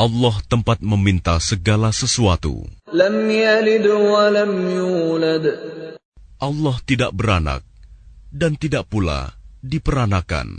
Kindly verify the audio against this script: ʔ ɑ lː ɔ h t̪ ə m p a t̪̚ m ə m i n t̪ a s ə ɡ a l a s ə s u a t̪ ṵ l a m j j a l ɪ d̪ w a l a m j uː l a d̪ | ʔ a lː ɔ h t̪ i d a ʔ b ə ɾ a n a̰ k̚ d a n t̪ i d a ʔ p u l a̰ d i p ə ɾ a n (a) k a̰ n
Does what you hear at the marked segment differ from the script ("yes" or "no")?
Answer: no